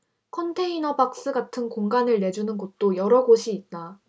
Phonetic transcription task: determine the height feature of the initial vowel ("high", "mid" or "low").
mid